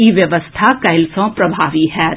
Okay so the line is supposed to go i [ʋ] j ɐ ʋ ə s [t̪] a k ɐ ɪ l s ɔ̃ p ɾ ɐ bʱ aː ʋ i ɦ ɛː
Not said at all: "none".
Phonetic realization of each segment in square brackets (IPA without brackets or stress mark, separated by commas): ʋ, t̪ʰ